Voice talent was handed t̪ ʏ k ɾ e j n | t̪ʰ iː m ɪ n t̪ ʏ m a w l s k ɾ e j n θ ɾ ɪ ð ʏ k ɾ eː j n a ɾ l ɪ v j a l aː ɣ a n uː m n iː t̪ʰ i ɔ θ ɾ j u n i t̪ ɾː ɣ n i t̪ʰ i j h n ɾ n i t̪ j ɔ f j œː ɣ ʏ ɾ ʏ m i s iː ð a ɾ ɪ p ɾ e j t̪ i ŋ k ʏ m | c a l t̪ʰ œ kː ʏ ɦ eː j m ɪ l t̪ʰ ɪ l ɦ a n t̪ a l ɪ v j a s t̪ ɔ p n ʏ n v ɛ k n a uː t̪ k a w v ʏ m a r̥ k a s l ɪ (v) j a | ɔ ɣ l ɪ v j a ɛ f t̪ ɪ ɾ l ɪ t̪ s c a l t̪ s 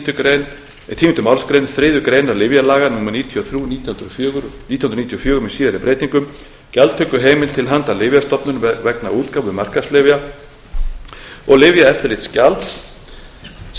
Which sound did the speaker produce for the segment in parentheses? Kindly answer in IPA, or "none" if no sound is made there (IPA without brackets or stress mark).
v